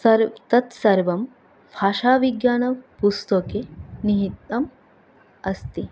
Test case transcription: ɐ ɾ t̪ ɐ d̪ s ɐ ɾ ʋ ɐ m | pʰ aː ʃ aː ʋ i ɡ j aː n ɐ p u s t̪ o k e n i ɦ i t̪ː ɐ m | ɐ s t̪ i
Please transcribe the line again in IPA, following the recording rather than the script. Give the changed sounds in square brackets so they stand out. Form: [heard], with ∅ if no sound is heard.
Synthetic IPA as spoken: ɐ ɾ t̪ ɐ [t̪] s ɐ ɾ ʋ ɐ m | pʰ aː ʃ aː ʋ i ɡ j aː n ɐ p u s t̪ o k e n i ɦ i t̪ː ɐ m | ɐ s t̪ i